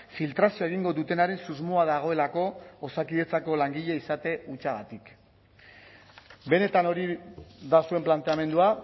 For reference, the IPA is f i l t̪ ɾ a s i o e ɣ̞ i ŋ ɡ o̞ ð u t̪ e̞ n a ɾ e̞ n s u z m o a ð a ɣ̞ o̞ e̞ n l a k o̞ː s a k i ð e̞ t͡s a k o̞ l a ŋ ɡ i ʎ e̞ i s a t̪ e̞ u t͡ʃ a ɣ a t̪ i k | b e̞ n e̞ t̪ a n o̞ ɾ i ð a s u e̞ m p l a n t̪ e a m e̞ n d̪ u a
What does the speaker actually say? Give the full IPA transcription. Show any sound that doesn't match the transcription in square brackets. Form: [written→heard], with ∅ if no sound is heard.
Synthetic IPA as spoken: f i l t̪ ɾ a s i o e ɣ̞ i ŋ ɡ o̞ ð u t̪ e̞ n a ɾ e̞ n s u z m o a ð a ɣ̞ o̞ e̞ [n→∅] l a k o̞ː s a k i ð e̞ t͡s a k o̞ l a ŋ ɡ i ʎ e̞ i s a t̪ e̞ u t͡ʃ a ɣ a t̪ i k | b e̞ n e̞ t̪ a n o̞ ɾ i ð a s u e̞ m p l a n t̪ e a m e̞ n d̪ u a